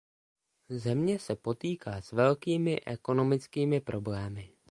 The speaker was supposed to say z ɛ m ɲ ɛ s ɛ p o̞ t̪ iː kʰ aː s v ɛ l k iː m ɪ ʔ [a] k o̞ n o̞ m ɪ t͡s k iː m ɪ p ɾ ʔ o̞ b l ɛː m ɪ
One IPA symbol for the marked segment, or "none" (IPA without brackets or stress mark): ɛ